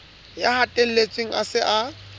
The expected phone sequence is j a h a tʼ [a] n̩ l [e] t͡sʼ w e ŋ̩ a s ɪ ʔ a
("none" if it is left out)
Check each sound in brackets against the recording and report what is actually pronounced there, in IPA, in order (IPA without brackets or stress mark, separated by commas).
e, e